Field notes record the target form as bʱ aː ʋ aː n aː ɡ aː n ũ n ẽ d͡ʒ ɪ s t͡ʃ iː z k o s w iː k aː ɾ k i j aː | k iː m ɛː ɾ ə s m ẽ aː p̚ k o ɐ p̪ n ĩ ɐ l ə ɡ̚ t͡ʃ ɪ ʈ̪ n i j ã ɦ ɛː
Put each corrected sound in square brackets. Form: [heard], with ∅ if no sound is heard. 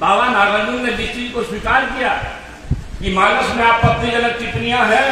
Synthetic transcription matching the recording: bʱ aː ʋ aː n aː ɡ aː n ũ n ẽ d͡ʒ ɪ s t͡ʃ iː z k o s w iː k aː ɾ k i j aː | k [i] m [aː] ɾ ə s m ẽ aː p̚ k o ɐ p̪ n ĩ ɐ l ə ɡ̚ t͡ʃ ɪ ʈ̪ n i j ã ɦ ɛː